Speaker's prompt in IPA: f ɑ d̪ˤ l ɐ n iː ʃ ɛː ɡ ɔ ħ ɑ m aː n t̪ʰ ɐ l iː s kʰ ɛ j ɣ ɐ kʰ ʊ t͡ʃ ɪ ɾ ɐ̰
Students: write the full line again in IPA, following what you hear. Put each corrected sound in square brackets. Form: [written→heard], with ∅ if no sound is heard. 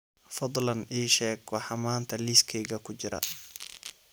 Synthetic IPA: f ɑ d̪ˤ l ɐ n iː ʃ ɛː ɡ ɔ ħ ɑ m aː n t̪ʰ ɐ l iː s kʰ ɛ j ɣ ɐ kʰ ʊ t͡ʃ ɪ ɾ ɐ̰